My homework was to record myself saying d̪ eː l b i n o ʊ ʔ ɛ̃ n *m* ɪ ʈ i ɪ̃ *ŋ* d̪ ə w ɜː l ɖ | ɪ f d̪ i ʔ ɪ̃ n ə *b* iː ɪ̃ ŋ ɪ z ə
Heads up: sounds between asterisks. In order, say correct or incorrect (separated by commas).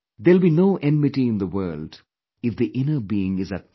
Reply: correct, incorrect, correct